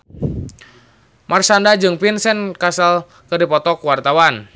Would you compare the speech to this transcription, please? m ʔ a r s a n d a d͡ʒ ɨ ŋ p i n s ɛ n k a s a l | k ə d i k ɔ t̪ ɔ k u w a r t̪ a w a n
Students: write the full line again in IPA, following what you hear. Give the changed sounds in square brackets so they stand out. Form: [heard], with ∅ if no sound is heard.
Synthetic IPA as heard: m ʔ a r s a n d a d͡ʒ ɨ ŋ p i n s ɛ n k a s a l | k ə d i [p] ɔ t̪ ɔ k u w a r t̪ a w a n